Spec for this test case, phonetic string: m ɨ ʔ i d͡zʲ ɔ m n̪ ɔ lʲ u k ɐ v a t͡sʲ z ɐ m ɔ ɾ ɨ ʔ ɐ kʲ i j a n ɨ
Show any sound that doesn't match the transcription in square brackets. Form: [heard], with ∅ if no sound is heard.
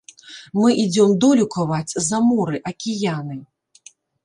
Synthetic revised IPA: m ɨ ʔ i d͡zʲ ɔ m [d̪] ɔ lʲ u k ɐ v a t͡sʲ z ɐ m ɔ ɾ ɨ ʔ ɐ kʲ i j a n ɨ